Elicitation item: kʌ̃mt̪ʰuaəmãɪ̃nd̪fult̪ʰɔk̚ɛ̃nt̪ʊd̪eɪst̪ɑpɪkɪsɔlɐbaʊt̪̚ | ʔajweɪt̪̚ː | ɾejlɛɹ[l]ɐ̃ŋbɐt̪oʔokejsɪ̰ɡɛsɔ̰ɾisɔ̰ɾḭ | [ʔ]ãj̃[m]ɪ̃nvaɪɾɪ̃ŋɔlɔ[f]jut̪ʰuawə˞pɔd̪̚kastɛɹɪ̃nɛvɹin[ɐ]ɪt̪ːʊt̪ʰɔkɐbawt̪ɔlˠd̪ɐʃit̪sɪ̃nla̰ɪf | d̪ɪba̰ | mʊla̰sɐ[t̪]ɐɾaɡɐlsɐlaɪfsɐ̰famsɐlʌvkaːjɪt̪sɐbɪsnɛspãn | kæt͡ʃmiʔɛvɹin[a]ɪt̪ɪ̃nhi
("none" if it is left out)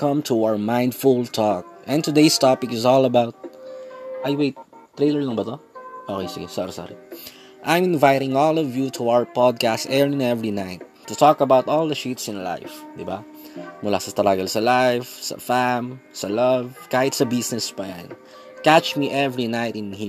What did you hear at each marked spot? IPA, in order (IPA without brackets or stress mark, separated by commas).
l, ʔ, m, v, a, t̪, a